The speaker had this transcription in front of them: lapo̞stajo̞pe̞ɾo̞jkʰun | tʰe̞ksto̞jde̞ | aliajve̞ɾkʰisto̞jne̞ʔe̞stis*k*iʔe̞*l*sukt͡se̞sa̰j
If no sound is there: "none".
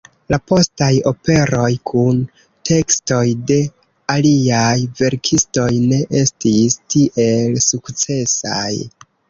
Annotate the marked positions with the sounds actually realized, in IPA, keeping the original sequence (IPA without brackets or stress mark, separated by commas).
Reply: t, l